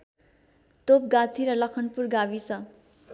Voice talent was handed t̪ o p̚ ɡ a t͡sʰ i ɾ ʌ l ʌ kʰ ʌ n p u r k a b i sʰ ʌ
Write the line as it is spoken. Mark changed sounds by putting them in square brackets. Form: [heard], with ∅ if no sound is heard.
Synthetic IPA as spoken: t̪ o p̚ ɡ a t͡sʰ i ɾ ʌ l ʌ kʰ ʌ n p u r [ɡ] a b i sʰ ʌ